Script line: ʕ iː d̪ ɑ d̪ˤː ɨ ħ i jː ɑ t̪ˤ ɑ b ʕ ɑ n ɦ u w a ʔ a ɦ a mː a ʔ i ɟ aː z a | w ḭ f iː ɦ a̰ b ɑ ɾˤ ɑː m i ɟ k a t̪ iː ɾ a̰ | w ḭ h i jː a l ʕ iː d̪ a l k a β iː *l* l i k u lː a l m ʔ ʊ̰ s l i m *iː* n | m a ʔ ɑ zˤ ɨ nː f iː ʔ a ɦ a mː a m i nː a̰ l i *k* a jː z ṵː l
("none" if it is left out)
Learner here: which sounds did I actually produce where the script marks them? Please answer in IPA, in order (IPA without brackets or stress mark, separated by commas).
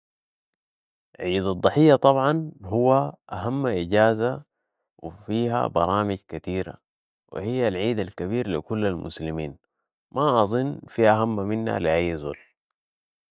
ɾ, iː, ʔ